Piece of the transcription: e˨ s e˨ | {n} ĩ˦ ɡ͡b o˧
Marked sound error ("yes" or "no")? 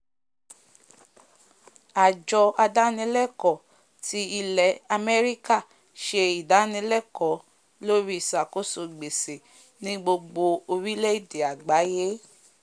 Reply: no